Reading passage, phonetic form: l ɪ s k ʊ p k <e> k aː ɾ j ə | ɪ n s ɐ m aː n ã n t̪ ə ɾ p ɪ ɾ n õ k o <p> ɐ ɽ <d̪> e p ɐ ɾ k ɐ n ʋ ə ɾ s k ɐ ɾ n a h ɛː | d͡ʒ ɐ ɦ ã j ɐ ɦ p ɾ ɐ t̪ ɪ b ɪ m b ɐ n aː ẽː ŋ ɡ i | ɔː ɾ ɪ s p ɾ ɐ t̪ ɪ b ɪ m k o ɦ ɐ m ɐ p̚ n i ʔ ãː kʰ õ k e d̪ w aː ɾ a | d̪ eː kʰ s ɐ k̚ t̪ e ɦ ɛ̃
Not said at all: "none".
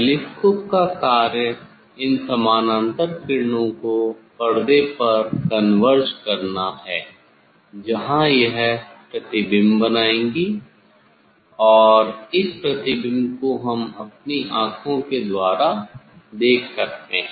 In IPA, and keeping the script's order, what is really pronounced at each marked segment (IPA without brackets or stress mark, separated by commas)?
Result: a, p, d̪